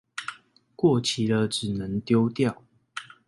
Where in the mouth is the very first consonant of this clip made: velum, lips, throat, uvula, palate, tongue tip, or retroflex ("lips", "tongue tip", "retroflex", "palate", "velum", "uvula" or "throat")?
velum